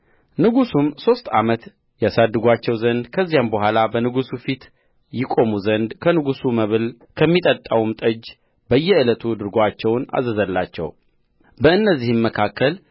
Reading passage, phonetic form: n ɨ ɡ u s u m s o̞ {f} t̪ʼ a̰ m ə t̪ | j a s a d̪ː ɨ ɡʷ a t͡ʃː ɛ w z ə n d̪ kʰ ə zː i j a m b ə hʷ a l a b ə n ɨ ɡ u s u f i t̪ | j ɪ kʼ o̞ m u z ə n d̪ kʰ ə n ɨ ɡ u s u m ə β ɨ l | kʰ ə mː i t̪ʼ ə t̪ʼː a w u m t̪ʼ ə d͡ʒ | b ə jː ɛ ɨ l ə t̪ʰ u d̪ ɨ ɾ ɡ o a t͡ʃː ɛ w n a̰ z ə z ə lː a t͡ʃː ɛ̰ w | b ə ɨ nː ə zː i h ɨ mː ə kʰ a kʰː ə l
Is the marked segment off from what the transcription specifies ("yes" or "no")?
yes